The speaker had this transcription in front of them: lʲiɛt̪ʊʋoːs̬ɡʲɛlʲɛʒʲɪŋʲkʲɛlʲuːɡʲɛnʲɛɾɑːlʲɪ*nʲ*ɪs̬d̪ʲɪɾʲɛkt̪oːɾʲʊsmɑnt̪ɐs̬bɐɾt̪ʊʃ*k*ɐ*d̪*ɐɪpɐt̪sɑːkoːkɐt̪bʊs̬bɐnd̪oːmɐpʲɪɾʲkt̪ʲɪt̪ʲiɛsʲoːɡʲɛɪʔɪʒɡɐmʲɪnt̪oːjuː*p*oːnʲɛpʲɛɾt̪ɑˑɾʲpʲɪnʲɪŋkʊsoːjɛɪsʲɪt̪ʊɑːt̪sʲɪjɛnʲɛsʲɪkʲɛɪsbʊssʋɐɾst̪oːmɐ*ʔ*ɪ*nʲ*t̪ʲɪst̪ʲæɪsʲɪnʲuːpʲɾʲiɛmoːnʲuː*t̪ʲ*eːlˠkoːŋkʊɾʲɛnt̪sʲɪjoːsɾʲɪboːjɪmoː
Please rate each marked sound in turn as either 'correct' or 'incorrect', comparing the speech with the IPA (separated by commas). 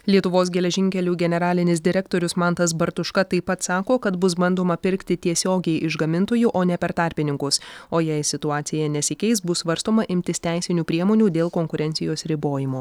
correct, correct, incorrect, incorrect, correct, incorrect, incorrect